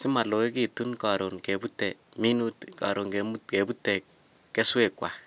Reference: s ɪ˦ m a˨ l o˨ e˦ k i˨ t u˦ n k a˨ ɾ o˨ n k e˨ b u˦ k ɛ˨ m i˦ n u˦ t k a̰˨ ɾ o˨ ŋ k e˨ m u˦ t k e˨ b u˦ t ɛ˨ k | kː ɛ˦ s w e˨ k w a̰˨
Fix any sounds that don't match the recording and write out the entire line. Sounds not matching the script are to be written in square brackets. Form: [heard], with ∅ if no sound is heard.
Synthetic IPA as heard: s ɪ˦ m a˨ l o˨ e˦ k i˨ t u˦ n k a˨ ɾ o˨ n k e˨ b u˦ [t] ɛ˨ m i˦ n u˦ t k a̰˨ ɾ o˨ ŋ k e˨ m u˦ t k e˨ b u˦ t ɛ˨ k | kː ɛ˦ s w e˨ k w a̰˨